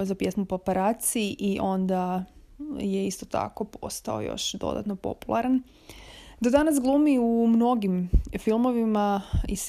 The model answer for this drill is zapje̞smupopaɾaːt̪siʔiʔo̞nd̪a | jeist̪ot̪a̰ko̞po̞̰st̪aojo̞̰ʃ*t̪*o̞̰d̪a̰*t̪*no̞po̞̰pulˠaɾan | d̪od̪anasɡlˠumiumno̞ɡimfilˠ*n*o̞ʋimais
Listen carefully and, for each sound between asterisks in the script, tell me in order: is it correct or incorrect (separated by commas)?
incorrect, correct, incorrect